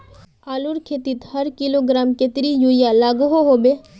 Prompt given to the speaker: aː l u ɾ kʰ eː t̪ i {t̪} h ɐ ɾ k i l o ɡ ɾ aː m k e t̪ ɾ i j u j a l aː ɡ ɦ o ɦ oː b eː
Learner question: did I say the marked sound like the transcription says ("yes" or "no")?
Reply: yes